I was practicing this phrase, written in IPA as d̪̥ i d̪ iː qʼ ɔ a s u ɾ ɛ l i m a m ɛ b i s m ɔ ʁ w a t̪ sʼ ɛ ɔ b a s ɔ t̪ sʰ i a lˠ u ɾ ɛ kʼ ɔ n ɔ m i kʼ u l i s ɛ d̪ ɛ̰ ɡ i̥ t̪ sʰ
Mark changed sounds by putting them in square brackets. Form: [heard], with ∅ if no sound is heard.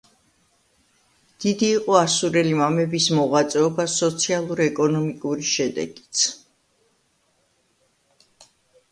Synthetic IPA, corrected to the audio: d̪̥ i d̪ iː qʼ ɔ a s u ɾ ɛ l i m a m ɛ b i s m ɔ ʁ w a t̪ sʼ ɛ ɔ b a s ɔ t̪ sʰ i a lˠ u ɾ ɛ kʼ ɔ n ɔ m i kʼ u [ɾ] i [ʃ] ɛ d̪ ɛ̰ ɡ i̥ t̪ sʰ